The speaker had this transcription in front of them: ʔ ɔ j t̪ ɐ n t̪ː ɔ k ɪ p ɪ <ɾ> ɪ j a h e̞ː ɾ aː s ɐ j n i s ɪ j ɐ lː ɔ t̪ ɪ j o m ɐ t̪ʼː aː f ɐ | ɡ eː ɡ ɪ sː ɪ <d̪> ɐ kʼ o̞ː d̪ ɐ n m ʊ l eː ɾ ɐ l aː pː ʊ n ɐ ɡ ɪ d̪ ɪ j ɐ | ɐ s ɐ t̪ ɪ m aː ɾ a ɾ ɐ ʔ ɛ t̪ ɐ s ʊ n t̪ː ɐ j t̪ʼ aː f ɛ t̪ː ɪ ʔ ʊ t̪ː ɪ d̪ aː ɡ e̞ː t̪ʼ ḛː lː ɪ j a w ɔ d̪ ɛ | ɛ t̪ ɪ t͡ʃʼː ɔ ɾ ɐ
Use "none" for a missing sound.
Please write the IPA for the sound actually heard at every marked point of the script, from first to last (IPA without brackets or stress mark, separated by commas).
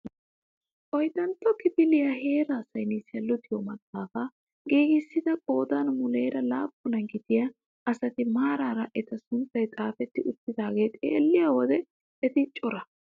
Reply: l, d̪